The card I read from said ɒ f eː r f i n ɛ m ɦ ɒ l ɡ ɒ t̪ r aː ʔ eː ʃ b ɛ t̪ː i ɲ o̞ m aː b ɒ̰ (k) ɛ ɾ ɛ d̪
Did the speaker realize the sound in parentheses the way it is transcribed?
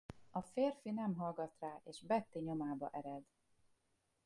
no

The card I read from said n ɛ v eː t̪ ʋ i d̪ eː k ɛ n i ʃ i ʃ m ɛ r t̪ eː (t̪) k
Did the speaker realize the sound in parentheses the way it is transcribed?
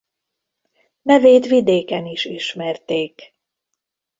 no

